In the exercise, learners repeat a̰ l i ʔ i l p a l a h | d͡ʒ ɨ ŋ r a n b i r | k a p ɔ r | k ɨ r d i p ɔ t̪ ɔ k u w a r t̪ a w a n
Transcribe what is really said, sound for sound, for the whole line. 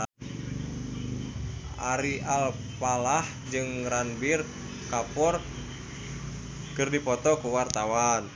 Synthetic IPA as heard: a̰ ɾ i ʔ a l p a l a h | d͡ʒ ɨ ŋ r a n b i r | k a p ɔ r | k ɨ r d i p ɔ t̪ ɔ k u w a r t̪ a w a n

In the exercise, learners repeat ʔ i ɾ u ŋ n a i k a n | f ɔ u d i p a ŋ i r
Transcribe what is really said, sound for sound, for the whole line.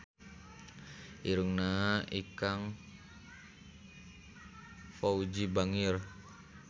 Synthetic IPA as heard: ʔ i ɾ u ŋ n a i k a ŋ | f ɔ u d͡ʒ i b a ŋ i r

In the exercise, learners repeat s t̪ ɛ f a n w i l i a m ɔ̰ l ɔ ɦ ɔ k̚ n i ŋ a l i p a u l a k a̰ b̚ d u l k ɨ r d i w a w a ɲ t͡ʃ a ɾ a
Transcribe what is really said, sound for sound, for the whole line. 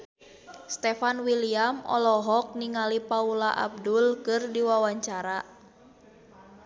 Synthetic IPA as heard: s t̪ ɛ f a n w i l i a m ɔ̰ l ɔ ɦ ɔ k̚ n i ŋ a l i p a u l a ʔ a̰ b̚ d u l k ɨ r d i w a w a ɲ t͡ʃ a ɾ a

